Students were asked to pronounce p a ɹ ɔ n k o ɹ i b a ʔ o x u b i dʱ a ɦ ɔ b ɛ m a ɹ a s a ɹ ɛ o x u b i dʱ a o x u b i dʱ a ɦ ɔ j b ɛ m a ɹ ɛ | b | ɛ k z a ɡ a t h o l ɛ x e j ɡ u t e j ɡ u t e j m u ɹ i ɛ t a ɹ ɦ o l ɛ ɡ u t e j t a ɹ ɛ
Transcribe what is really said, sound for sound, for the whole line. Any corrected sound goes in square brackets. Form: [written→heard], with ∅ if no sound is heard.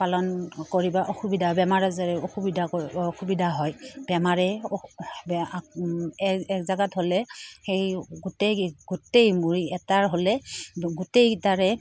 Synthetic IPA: p a [ɹ→l] ɔ n k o ɹ i b a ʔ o x u b i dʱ a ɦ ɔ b ɛ m a ɹ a [s→z] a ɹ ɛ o x u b i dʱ a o x u b i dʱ a ɦ ɔ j b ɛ m a ɹ ɛ | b | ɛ k z a ɡ a t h o l ɛ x e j ɡ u t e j ɡ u t e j m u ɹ i ɛ t a ɹ ɦ o l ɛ ɡ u t e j t a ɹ ɛ